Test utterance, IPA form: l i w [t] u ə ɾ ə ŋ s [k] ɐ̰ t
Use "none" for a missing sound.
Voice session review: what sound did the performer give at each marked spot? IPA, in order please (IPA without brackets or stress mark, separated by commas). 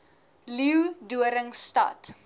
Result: d, t